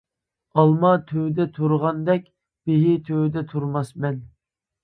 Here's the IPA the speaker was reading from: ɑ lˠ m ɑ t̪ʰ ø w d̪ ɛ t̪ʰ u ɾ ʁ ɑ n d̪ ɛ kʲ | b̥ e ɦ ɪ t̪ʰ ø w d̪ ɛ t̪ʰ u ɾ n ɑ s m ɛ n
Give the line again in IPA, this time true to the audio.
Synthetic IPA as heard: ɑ lˠ m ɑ t̪ʰ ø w d̪ ɛ t̪ʰ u ɾ ʁ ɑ n d̪ ɛ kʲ | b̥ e ɦ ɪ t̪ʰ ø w d̪ ɛ t̪ʰ u ɾ m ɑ s m ɛ n

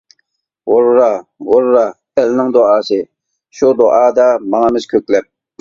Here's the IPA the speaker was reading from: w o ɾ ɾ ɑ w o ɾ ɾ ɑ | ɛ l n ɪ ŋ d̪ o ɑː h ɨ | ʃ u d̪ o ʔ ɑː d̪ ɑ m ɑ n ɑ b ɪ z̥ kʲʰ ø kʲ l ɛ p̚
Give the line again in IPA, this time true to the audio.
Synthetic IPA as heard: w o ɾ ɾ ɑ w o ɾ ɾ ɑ | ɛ l n ɪ ŋ d̪ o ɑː s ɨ | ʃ u d̪ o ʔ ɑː d̪ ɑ m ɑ ŋ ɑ m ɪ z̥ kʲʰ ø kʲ l ɛ p̚

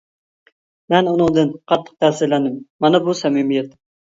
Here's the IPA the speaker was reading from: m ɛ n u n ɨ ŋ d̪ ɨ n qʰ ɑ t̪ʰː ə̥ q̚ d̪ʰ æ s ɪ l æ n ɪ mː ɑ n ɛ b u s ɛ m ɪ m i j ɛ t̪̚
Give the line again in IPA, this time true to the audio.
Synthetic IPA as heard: m ɛ n u n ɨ ŋ d̪ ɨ n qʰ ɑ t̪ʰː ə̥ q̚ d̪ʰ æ s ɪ l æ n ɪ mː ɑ n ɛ b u s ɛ m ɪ m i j ɛ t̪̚

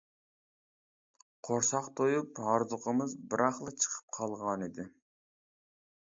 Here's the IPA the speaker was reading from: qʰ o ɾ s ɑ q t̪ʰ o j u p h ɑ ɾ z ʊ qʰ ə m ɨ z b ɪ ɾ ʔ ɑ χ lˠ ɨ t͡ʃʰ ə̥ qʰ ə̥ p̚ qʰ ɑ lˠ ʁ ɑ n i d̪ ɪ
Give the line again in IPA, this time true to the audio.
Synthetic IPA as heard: qʰ o ɾ s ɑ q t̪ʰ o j u p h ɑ ɾ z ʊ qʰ ə m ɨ z b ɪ ɾ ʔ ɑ χ lˠ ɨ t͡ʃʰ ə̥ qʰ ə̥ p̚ qʰ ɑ lˠ ʁ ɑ n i d̪ ɪ

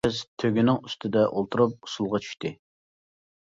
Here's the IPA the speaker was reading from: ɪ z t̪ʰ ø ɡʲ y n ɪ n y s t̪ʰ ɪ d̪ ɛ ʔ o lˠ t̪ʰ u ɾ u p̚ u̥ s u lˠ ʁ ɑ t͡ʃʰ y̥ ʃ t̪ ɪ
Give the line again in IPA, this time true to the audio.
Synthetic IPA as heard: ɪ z t̪ʰ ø ɡʲ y n ɪ ŋ y s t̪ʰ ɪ d̪ ɛ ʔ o lˠ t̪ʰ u ɾ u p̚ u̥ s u lˠ ʁ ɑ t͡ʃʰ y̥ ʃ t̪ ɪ

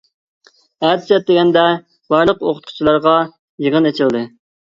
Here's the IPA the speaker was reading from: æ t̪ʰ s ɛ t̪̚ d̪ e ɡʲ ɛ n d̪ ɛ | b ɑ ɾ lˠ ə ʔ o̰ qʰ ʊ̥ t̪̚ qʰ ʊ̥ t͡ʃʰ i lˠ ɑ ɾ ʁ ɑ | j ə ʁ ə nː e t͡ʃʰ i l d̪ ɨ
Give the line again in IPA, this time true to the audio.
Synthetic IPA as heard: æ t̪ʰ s ɛ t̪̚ d̪ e ɡʲ ɛ n d̪ ɛ | b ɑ ɾ lˠ ə q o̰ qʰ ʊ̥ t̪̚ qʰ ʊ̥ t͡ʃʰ i lˠ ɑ ɾ ʁ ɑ | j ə ʁ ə n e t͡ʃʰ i l d̪ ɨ

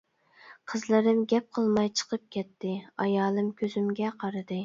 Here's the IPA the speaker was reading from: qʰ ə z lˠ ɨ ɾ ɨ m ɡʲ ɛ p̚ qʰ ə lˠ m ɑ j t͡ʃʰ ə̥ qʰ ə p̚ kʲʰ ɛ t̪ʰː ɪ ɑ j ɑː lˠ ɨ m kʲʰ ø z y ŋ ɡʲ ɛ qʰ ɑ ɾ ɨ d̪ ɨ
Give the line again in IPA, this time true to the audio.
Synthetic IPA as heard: qʰ ə z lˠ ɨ ɾ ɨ m ɡʲ ɛ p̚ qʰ ə lˠ m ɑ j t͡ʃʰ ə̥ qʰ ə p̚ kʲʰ ɛ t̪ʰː ɪ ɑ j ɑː lˠ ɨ m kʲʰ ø z y m ɡʲ ɛ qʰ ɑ ɾ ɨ d̪ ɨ

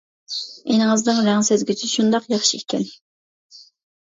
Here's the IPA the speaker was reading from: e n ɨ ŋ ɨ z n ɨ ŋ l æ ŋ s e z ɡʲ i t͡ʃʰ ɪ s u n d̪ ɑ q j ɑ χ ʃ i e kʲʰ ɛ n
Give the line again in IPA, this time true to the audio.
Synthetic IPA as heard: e n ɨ ŋ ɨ z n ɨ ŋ ɾ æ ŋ s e z ɡʲ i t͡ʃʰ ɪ ʃ u n d̪ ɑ q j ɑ χ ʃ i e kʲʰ ɛ n

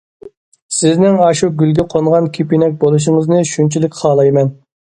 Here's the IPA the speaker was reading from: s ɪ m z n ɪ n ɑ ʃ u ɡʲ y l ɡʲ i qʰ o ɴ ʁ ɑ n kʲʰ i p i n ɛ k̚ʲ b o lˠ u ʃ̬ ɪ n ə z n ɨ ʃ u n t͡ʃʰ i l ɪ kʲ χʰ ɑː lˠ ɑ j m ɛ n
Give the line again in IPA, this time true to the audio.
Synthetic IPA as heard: s ɪ z n ɪ ŋ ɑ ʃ u ɡʲ y l ɡʲ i qʰ o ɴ ʁ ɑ n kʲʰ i p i n ɛ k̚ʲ b o lˠ u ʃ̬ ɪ ŋ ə z n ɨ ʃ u n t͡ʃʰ i l ɪ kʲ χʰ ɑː lˠ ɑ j m ɛ n

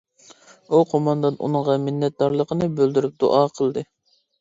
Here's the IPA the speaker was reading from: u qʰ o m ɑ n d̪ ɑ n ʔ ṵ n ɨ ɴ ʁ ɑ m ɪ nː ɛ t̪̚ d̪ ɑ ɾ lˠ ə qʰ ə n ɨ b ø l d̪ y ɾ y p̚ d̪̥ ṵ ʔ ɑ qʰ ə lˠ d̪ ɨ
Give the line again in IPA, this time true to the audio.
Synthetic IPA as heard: u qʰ o m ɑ n d̪ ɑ n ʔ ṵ n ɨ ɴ ʁ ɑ m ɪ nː ɛ t̪̚ d̪ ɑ ɾ lˠ ə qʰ ə n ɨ b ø l d̪ y ɾ y p̚ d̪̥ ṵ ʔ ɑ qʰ ə lˠ d̪ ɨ

